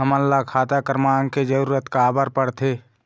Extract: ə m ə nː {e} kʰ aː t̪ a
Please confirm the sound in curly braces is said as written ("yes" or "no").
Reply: no